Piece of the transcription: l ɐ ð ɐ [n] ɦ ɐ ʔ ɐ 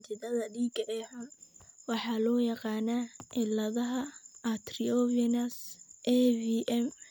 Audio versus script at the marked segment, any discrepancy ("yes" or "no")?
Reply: yes